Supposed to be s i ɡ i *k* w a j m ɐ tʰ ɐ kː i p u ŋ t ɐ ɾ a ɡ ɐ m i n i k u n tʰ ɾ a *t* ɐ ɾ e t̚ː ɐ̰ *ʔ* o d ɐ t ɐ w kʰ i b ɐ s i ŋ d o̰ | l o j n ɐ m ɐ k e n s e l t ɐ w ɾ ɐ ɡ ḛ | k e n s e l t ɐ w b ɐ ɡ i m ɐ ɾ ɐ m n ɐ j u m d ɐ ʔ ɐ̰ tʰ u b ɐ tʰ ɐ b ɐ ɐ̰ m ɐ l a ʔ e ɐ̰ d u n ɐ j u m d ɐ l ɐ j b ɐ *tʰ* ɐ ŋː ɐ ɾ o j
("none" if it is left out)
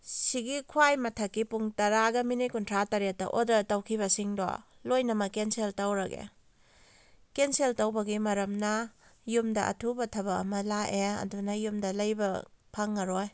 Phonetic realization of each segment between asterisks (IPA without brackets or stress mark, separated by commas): kʰ, t, ʔ, pʰ